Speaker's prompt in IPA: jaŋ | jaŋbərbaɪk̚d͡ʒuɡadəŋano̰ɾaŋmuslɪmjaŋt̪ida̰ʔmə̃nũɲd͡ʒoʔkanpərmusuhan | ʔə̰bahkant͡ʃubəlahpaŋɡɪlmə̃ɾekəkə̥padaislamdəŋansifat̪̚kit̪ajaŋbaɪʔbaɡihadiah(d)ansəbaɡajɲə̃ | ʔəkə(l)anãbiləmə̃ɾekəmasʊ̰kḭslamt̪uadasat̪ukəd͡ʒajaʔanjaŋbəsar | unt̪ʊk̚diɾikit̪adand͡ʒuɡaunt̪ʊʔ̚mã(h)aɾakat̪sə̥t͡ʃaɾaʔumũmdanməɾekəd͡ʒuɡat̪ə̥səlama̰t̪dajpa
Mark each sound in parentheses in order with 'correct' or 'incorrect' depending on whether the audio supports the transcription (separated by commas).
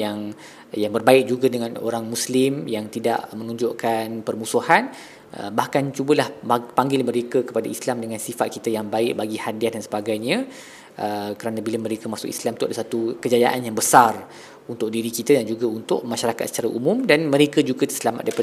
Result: correct, incorrect, incorrect